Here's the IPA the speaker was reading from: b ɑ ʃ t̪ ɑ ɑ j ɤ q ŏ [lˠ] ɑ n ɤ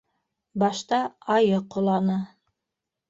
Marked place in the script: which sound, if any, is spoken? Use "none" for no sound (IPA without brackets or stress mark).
lˠ